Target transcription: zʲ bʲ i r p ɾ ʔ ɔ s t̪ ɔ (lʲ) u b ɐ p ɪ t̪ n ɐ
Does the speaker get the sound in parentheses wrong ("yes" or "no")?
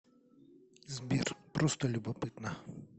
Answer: no